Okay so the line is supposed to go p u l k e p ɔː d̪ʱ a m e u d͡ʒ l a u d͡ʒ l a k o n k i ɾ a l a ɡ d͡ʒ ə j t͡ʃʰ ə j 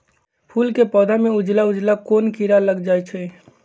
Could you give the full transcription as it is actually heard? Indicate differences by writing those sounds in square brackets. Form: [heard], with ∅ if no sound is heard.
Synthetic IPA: [pʰ] u l k e p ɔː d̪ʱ a m e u d͡ʒ l a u d͡ʒ l a k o n k i ɾ a l [ə] ɡ d͡ʒ [a] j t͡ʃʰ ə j